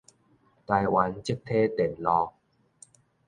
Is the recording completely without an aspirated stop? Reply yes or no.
no